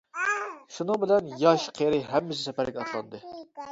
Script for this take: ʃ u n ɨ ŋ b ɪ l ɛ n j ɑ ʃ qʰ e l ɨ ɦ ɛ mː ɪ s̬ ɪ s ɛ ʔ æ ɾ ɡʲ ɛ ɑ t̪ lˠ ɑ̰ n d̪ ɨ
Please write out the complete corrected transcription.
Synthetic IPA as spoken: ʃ u n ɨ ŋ b ɪ l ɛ n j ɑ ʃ qʰ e ɾ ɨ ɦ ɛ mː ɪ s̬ ɪ s ɛ p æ ɾ ɡʲ ɛ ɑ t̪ lˠ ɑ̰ n d̪ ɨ